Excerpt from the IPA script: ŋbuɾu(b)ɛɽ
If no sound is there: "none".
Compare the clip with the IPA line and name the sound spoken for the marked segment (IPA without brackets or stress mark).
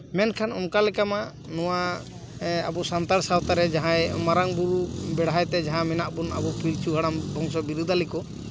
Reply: b